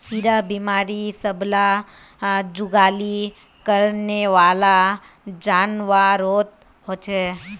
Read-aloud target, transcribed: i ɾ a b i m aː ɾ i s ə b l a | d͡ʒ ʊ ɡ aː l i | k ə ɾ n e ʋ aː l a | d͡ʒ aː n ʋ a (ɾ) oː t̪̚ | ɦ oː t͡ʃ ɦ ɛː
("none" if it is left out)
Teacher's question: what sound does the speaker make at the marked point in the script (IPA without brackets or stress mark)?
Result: ɾ